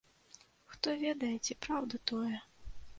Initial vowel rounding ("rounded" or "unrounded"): rounded